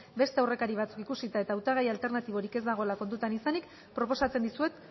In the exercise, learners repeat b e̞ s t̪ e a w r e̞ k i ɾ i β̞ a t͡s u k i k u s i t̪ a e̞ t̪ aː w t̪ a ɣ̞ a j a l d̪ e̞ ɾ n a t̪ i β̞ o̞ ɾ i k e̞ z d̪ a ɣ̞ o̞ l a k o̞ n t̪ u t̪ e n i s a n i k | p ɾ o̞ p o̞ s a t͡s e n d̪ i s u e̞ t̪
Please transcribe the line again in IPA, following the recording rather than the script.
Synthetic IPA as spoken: b e̞ s t̪ e a w r e̞ k a ɾ i β̞ a t͡s u k i k u s i t̪ a e̞ t̪ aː w t̪ a ɣ̞ a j a l t̪ e̞ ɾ n a t̪ i β̞ o̞ ɾ i k e̞ z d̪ a ɣ̞ o̞ l a k o̞ n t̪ u t̪ a n i s a n i k | p ɾ o̞ p o̞ s a t͡s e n d̪ i s u e̞ t̪